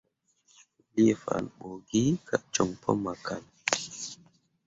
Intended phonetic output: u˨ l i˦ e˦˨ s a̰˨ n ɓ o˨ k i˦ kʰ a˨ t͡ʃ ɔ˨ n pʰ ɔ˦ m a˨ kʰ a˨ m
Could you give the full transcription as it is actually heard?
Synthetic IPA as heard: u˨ l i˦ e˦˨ f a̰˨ n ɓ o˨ ɡ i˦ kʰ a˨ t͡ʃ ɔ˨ ŋ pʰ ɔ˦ m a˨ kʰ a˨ n